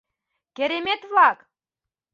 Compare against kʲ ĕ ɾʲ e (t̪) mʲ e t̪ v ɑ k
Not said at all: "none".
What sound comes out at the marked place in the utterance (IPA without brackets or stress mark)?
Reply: none